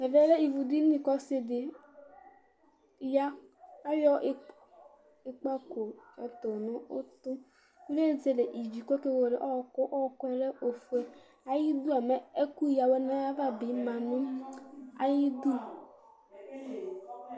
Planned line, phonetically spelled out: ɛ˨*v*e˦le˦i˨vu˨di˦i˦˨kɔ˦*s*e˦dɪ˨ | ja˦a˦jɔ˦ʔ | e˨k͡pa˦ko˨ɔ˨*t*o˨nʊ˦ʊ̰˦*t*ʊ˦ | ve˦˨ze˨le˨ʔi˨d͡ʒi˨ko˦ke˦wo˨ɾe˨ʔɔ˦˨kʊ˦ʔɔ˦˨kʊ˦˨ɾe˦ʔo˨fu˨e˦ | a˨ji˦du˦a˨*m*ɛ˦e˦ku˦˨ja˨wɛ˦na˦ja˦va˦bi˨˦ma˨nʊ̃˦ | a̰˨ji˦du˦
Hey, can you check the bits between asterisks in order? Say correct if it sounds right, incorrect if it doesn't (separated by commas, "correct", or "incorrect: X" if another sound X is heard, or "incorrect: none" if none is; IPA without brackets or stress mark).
correct, correct, correct, correct, correct